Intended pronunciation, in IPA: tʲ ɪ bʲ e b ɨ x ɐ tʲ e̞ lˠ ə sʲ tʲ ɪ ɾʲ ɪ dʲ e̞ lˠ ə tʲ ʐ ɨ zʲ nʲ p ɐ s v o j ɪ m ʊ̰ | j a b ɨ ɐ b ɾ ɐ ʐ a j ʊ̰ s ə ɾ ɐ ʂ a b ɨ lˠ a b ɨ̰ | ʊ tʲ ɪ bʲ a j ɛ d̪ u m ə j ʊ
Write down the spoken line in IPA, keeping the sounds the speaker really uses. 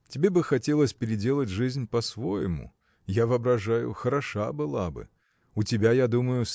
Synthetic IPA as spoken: tʲ ɪ bʲ e b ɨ x ɐ tʲ e̞ lˠ ə sʲ pʲ ɪ ɾʲ ɪ dʲ e̞ lˠ ə tʲ ʐ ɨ zʲ nʲ p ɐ s v o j ɪ m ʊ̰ | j a v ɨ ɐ b ɾ ɐ ʐ a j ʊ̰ x ə ɾ ɐ ʂ a b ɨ lˠ a b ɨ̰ | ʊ tʲ ɪ bʲ a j a d̪ u m ə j ʊ

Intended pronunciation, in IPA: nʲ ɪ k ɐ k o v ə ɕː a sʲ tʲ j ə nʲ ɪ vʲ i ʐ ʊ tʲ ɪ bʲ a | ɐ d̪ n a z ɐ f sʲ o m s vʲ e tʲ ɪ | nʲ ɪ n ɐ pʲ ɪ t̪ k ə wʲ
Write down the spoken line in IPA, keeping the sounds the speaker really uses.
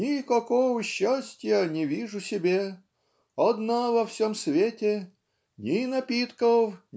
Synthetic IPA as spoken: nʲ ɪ k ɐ k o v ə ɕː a sʲ tʲ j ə nʲ ɪ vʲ i ʐ ʊ sʲ ɪ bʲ e | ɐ d̪ n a v ɐ f sʲ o m s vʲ e tʲ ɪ | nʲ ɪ n ɐ pʲ i t̪ k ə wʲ

